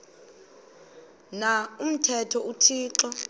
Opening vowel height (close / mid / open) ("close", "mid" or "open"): open